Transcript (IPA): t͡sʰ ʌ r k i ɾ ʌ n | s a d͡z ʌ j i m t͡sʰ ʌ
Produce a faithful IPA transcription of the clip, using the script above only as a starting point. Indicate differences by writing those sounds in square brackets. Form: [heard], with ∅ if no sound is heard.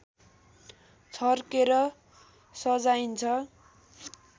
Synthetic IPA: t͡sʰ ʌ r k [e] ɾ ʌ [∅] | s [ʌ] d͡z [a] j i [n] t͡sʰ ʌ